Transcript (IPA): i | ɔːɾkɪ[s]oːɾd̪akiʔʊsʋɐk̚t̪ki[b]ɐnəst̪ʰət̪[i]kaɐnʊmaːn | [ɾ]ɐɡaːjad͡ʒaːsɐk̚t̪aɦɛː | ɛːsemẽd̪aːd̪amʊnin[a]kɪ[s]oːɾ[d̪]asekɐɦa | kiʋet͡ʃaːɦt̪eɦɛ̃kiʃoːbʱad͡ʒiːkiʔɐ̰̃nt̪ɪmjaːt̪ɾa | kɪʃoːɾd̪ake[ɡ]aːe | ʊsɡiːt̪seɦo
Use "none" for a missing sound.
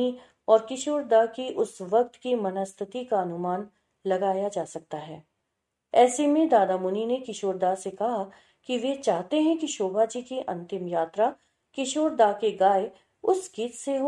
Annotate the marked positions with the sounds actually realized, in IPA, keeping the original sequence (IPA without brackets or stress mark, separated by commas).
ʃ, m, i, l, e, ʃ, d̪, ɡ